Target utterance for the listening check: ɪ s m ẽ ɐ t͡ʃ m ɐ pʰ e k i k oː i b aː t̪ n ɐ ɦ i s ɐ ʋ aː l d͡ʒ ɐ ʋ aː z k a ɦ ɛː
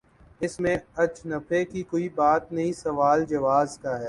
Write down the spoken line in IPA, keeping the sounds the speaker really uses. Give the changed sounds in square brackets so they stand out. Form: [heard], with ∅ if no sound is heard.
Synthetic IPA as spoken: ɪ s m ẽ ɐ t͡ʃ [n] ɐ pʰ e k i k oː i b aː t̪ n ɐ ɦ [ĩ] s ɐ ʋ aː l d͡ʒ ɐ ʋ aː z k a ɦ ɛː